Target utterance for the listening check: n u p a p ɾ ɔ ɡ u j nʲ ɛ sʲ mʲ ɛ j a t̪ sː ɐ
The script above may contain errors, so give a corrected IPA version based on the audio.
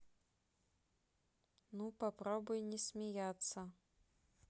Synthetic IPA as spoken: n u p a p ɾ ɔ b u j nʲ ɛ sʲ mʲ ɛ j a t̪ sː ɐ